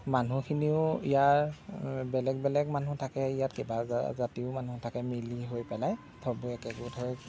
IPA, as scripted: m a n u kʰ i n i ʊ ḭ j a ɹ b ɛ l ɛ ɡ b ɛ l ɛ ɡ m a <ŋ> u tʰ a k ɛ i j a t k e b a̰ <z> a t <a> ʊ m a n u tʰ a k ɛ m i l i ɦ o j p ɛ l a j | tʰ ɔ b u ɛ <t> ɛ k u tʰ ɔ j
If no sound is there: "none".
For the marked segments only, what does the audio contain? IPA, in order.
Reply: n, z, i, k

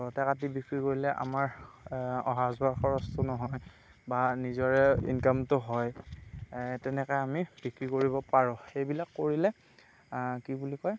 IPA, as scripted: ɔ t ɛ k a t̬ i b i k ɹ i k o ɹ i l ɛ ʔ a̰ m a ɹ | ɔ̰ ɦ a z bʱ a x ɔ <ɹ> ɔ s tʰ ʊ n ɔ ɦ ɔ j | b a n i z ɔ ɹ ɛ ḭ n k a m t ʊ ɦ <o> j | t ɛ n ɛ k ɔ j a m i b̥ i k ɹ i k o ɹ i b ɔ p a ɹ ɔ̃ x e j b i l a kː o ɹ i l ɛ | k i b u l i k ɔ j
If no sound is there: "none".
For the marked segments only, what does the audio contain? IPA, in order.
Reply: ɹ, ɔ

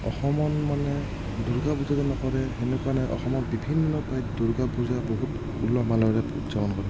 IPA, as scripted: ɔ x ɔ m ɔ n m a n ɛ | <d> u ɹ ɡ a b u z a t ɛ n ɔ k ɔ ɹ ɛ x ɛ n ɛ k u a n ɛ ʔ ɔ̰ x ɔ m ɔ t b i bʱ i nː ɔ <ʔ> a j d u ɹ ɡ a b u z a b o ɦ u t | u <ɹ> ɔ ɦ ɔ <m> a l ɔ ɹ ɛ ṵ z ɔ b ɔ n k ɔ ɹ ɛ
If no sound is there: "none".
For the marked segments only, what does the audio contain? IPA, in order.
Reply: d, p, l, m

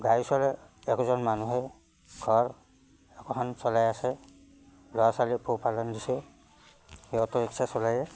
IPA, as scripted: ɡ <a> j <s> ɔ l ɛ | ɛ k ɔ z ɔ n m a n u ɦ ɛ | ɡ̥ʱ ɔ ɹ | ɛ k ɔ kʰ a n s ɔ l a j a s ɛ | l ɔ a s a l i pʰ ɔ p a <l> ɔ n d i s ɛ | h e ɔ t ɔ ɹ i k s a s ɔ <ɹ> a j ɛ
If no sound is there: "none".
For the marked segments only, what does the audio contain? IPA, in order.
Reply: a, s, l, l

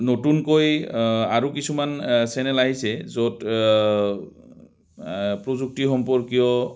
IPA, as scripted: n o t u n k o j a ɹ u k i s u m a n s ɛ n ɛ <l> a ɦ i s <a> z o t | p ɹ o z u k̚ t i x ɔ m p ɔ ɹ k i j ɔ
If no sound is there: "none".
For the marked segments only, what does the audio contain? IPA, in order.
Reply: l, ɛ

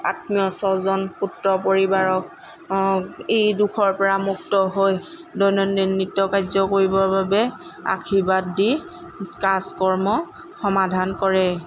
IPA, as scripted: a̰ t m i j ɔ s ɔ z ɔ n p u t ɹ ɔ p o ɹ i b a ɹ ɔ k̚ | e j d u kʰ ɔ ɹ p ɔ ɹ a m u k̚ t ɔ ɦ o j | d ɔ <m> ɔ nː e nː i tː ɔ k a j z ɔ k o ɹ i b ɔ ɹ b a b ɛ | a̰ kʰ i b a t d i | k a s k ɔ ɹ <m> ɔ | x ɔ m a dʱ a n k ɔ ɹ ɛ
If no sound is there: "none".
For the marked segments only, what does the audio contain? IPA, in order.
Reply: n, m

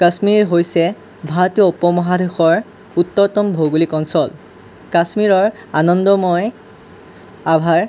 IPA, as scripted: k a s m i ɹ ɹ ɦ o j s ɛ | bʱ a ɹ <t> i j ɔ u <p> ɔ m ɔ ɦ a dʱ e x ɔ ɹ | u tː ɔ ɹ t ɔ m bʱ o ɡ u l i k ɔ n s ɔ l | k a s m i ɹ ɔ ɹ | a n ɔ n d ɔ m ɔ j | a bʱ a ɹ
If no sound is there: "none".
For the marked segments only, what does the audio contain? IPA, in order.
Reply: t, p

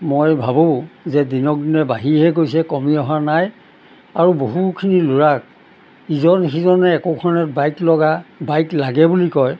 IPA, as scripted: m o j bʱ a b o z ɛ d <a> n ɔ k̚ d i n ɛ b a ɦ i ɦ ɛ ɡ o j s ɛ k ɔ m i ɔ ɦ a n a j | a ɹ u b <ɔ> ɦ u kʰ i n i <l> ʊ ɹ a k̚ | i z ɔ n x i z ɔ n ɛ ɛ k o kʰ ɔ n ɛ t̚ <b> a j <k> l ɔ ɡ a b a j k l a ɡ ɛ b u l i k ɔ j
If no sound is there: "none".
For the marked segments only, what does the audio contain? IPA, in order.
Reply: i, o, l, b, k

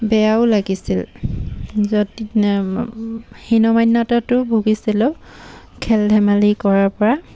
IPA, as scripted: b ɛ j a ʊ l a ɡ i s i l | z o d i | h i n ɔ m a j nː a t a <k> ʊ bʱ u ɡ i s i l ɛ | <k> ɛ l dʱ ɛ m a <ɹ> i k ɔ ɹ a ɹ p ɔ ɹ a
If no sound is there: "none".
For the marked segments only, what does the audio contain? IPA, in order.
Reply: t, kʰ, l

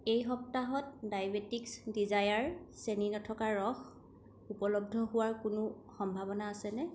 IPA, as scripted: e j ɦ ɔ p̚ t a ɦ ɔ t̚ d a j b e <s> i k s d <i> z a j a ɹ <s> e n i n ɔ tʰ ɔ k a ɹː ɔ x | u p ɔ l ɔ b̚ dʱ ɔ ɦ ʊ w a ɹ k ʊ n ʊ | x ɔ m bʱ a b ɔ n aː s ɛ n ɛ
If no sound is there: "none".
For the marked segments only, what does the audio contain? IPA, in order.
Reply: t, i, s

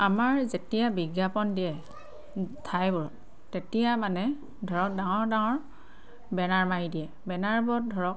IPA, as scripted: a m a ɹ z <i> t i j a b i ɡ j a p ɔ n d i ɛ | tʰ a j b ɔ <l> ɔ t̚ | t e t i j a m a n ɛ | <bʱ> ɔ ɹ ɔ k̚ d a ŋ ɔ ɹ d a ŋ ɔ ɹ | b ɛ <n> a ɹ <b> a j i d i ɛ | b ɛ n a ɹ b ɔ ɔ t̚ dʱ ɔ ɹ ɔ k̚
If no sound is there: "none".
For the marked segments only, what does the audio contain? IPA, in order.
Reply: e, ɹ, dʱ, n, m

